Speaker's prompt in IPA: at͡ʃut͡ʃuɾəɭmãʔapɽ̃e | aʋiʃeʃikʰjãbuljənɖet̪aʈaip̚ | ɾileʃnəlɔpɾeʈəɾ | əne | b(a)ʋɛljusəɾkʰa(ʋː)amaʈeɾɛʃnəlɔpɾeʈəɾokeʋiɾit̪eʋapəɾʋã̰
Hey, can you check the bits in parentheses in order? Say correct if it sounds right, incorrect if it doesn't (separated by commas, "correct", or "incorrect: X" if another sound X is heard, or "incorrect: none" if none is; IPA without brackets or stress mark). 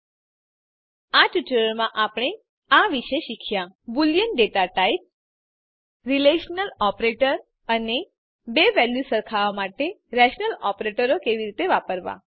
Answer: incorrect: e, incorrect: ʋ